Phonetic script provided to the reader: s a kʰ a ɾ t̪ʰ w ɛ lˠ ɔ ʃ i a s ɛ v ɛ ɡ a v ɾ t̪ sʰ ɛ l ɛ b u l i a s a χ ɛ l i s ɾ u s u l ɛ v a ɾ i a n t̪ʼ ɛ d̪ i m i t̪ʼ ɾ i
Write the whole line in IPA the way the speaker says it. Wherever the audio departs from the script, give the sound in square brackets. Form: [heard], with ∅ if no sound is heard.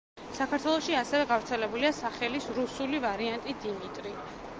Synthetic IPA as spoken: s a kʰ a ɾ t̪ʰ w ɛ lˠ ɔ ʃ i a s ɛ v ɛ ɡ a v ɾ t̪ sʰ ɛ l ɛ b u l i a s a χ ɛ l i s ɾ u s u l [i] v a ɾ i a n t̪ʼ [i] d̪ i m i t̪ʼ ɾ i